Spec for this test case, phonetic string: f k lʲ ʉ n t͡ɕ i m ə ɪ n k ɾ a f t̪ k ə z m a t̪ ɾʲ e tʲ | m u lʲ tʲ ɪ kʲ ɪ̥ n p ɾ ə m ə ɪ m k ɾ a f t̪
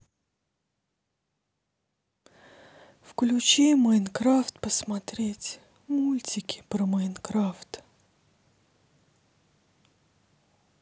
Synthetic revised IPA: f k lʲ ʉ t͡ɕ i m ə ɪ n k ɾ a f t̪ p ə s m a t̪ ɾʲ e tʲ | m u lʲ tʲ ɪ kʲ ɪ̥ p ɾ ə m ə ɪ n k ɾ a f t̪